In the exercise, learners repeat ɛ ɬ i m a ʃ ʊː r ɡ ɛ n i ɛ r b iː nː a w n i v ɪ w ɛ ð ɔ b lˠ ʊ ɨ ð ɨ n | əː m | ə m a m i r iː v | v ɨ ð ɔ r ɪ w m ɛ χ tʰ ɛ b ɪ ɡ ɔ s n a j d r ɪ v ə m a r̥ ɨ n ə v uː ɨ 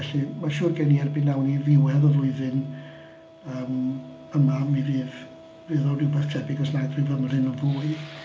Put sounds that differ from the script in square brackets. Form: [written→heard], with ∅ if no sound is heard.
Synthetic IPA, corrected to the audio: ɛ ɬ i m a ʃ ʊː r ɡ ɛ n i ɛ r b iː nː a w n i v ɪ w ɛ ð ɔ [b→v] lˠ ʊ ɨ ð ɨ n | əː m | ə m a m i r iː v | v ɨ ð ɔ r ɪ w [m→b] ɛ [χ→θ] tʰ ɛ b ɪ ɡ ɔ s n a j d r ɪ v ə m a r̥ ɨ n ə v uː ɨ